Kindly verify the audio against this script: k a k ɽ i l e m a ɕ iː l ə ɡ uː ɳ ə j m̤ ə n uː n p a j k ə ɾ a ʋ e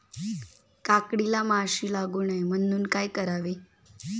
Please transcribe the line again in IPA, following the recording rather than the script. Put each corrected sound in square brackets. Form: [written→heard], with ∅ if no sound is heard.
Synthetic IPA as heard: k a k ɽ i l [e→a] m a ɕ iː l [ə→a] ɡ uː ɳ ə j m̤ ə n uː n [p→k] a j k ə ɾ a ʋ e